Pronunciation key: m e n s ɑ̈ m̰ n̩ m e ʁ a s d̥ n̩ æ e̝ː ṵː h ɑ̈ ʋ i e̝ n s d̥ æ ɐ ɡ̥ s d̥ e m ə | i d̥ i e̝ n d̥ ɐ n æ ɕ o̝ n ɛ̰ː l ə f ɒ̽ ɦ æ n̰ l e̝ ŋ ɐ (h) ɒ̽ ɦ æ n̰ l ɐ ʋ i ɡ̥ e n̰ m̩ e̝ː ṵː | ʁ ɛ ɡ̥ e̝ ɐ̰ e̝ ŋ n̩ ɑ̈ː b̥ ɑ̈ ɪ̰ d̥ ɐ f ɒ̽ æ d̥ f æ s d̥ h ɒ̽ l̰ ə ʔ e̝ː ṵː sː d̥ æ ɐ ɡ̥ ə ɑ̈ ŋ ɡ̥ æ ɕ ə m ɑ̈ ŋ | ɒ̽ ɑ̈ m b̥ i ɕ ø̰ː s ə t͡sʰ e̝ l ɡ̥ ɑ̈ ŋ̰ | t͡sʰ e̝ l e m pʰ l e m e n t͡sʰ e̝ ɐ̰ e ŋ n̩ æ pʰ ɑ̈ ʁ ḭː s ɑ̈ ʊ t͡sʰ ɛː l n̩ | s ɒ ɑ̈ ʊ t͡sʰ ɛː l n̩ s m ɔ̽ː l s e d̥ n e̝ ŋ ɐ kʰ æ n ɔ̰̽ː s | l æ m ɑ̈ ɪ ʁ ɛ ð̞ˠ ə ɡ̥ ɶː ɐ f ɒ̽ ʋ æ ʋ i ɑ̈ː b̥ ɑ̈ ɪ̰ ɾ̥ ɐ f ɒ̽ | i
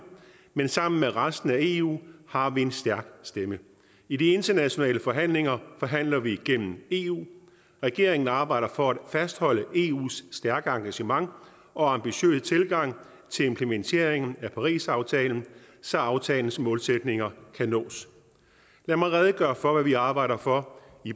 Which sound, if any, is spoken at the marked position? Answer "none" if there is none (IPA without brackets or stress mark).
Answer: f